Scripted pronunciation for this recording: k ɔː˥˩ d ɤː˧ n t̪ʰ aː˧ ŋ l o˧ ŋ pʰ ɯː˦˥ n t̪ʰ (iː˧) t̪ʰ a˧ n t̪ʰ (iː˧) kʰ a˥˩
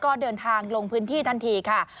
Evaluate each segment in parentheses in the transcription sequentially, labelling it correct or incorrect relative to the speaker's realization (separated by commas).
incorrect, correct